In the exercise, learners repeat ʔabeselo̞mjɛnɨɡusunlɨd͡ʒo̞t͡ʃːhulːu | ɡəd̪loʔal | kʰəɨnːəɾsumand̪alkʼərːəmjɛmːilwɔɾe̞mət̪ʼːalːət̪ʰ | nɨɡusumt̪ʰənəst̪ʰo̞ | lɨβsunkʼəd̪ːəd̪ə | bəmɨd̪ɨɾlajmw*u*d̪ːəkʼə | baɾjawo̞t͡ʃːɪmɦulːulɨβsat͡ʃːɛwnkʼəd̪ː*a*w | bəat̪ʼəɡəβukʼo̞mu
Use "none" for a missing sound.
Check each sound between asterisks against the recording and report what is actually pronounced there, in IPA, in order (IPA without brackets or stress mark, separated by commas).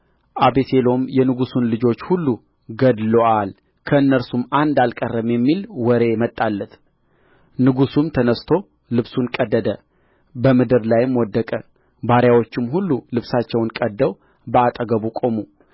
ɔ, ə